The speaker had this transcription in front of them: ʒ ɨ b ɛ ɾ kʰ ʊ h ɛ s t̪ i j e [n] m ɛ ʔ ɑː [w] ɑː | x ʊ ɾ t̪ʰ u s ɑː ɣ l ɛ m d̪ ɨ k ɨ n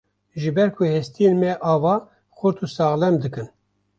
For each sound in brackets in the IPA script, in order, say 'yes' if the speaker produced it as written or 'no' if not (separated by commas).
yes, no